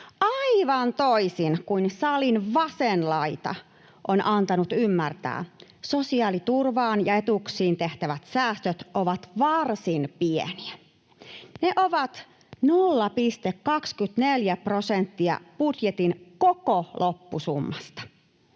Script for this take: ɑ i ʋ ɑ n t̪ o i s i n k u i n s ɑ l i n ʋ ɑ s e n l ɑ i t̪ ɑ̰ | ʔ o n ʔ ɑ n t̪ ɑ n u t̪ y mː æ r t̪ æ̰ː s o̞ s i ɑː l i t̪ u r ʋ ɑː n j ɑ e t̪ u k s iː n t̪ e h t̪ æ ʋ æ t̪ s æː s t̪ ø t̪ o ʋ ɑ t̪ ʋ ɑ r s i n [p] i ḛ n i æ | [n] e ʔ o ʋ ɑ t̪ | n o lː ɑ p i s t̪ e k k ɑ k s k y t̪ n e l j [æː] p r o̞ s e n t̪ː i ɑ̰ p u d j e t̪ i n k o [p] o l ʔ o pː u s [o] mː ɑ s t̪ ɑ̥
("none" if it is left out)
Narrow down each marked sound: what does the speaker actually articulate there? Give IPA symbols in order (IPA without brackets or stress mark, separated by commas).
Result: p, n, æ, k, u